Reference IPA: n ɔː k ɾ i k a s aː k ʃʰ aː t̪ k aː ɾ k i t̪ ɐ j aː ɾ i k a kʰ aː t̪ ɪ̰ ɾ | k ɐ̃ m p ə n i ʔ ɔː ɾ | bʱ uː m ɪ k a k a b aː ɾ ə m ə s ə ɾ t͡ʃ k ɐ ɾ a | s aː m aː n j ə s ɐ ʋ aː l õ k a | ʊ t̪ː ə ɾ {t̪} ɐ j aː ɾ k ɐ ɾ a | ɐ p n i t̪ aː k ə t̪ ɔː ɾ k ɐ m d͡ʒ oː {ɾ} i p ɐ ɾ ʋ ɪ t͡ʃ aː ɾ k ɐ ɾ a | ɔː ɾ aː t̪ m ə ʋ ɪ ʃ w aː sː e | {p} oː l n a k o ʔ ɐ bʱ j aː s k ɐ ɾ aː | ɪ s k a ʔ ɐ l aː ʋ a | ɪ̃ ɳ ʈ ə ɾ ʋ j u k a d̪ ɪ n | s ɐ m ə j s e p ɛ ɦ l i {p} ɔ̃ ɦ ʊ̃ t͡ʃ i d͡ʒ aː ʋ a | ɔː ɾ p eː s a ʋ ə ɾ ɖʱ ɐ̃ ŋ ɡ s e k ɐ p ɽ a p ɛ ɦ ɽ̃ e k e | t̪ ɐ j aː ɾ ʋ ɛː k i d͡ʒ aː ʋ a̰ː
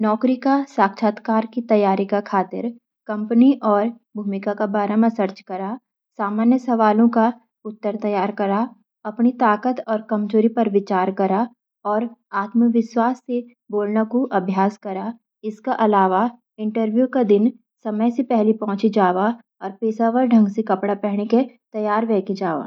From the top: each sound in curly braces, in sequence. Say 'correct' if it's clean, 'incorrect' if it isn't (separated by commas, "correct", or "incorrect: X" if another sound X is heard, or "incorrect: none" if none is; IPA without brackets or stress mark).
correct, correct, incorrect: b, correct